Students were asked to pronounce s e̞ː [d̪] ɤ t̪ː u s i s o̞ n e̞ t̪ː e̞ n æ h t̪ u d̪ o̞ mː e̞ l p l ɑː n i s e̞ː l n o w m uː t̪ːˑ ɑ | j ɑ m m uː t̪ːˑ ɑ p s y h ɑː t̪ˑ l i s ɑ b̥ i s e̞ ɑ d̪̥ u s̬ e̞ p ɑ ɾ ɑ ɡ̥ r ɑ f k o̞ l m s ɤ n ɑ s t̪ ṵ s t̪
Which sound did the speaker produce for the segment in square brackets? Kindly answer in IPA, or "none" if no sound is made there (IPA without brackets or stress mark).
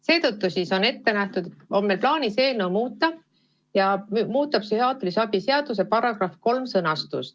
t̪